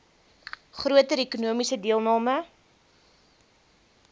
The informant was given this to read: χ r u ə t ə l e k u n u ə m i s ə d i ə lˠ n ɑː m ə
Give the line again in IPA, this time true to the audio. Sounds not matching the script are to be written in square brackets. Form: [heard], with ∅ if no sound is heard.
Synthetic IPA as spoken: χ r u ə t ə [ɾ] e k u n u ə m i s ə d i ə lˠ n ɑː m ə